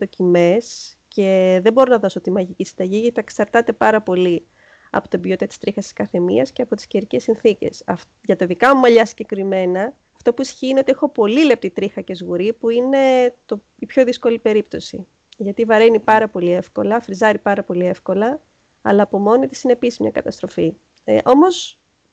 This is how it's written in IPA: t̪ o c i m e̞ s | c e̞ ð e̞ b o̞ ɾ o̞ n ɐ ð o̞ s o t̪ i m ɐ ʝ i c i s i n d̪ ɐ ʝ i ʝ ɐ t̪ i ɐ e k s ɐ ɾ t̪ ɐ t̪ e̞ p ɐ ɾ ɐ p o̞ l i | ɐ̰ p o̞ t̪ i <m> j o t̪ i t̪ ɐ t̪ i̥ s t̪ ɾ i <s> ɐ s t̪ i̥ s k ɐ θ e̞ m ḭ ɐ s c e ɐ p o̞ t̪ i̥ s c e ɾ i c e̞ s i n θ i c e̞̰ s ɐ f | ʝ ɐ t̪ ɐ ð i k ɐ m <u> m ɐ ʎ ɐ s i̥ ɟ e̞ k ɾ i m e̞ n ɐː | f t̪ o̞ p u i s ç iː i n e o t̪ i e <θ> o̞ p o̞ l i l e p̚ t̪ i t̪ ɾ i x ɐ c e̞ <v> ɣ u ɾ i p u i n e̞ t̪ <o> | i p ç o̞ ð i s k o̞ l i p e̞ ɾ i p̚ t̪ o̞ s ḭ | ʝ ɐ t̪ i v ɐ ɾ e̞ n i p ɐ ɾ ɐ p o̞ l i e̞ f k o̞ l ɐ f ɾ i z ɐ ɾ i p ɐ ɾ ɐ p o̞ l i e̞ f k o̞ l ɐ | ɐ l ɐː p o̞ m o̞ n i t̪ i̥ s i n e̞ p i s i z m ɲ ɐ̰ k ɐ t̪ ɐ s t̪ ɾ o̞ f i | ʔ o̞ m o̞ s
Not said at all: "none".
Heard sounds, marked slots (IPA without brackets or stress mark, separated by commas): b, x, u, x, z, o